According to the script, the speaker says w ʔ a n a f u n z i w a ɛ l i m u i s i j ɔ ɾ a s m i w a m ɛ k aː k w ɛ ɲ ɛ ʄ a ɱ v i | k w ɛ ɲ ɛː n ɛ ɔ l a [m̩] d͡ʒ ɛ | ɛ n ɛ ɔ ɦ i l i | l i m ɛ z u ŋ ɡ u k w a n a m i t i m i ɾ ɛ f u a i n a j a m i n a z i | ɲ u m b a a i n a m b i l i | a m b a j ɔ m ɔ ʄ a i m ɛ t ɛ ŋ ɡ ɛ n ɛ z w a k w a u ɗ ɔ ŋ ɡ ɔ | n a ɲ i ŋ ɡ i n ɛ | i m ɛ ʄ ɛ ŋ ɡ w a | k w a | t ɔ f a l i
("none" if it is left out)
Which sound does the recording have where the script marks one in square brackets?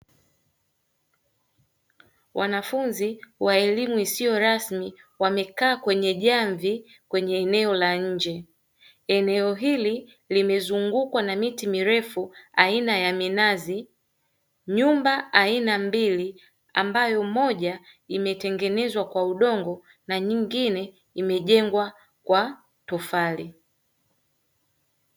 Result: ɲ̩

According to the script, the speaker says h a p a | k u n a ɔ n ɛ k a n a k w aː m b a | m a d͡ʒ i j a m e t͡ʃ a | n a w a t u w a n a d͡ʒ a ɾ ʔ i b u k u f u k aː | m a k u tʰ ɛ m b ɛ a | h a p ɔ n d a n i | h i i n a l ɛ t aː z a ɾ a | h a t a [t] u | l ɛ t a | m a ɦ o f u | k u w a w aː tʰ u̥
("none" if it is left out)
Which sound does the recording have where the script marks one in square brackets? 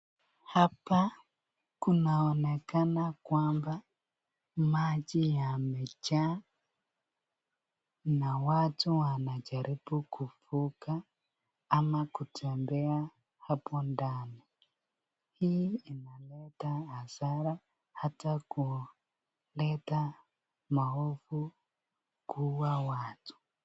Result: k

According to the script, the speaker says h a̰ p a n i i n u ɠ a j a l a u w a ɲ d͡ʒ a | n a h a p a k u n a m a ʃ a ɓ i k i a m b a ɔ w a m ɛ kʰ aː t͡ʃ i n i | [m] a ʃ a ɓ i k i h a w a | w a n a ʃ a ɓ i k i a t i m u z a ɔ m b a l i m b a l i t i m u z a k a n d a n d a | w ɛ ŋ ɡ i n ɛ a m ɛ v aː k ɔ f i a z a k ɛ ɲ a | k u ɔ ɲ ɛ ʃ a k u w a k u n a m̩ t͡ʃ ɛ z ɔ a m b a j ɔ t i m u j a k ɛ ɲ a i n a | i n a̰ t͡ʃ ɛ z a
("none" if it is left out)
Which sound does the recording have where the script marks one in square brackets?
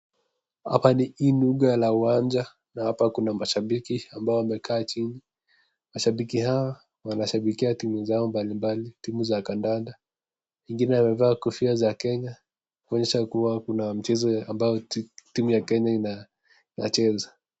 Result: m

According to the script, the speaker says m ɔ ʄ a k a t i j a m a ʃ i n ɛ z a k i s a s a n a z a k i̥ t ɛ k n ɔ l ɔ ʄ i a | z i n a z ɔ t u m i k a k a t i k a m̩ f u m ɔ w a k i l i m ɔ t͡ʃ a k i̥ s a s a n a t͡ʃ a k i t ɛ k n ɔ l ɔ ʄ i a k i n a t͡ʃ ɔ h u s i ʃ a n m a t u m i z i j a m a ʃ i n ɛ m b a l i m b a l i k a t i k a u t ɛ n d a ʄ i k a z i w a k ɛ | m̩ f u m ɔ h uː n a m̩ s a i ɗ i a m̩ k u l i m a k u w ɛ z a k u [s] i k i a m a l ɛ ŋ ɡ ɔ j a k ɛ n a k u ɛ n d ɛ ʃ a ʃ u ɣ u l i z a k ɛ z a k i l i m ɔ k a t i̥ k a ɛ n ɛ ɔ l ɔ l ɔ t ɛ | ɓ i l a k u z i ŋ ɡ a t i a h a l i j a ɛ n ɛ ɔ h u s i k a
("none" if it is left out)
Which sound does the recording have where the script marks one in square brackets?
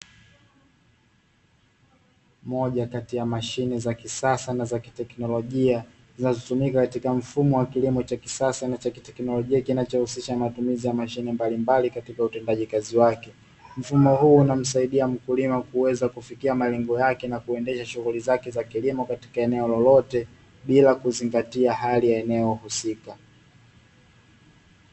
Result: f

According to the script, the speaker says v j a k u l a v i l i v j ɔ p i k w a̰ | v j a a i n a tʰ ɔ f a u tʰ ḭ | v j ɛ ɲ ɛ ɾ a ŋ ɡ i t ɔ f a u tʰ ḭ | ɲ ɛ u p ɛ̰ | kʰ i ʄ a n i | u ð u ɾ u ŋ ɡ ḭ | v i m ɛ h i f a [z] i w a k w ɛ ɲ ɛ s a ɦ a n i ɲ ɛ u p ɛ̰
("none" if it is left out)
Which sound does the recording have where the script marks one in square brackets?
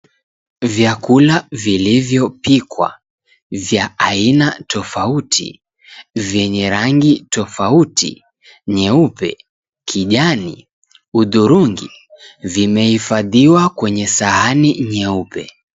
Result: ð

